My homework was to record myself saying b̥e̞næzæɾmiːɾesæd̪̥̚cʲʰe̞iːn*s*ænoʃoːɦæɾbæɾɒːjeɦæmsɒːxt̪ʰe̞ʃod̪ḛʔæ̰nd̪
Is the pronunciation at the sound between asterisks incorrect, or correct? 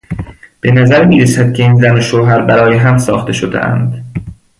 incorrect